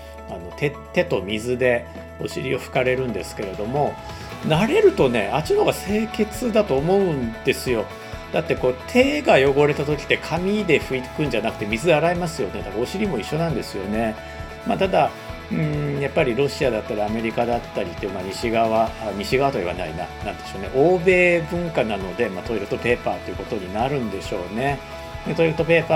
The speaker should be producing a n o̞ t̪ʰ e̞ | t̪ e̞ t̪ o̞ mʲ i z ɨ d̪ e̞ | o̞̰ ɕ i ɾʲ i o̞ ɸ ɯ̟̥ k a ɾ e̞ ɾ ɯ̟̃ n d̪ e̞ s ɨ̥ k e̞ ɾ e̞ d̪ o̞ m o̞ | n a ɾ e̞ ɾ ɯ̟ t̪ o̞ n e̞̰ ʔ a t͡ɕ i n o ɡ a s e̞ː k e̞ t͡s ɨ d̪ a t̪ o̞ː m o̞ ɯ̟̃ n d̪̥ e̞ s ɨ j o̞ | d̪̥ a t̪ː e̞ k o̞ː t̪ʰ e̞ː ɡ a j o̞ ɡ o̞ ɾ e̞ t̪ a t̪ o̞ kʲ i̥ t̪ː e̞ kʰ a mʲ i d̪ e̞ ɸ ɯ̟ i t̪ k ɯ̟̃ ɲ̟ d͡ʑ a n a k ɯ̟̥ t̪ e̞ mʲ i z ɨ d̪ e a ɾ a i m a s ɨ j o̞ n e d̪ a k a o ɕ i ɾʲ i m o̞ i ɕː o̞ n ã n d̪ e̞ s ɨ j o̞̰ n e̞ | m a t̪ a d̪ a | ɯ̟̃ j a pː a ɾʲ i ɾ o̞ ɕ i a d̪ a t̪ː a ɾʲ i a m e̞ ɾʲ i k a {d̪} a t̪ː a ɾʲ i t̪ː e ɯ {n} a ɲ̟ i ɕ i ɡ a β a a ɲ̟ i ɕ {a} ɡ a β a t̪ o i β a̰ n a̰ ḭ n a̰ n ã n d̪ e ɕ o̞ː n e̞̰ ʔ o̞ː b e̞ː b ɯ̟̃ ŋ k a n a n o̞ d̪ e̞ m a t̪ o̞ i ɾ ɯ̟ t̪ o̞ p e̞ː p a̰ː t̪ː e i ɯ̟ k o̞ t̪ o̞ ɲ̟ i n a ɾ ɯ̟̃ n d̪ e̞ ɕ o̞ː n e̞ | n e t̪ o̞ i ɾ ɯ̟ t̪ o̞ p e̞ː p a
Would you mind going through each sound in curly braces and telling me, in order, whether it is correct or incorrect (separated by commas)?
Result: correct, incorrect, incorrect